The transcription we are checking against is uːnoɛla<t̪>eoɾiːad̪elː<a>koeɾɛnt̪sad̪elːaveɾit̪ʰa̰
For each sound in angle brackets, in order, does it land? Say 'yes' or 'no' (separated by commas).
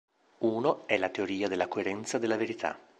yes, yes